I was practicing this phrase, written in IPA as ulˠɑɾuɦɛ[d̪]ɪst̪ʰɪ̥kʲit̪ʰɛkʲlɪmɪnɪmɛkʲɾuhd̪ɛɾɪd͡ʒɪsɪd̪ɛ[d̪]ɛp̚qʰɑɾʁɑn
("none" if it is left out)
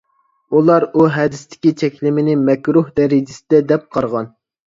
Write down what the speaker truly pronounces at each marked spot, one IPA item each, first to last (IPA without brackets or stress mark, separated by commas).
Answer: d̪, d̪